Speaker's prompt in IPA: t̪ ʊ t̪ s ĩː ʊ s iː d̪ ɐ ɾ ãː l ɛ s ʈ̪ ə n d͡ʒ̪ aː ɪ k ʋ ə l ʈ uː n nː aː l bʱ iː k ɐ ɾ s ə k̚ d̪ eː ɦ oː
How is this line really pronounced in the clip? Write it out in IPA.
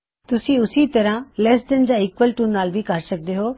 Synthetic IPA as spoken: t̪ ʊ s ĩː ʊ s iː t̪ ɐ ɾ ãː l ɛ s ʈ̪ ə n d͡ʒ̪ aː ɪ k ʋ ə l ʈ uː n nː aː l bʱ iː k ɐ ɾ s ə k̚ d̪ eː ɦ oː